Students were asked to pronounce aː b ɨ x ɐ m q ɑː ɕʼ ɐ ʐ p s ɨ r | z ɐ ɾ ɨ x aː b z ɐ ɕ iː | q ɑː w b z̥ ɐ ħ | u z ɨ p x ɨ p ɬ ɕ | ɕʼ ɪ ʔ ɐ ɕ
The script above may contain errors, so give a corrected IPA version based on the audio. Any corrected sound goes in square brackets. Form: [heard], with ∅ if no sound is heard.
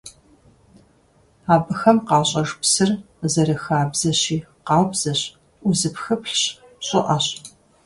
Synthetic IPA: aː b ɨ x ɐ m q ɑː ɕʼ ɐ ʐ p s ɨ r | z ɐ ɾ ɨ x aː b z ɐ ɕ iː | q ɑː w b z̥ ɐ [ɕ] | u z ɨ p x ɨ p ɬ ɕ | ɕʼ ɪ ʔ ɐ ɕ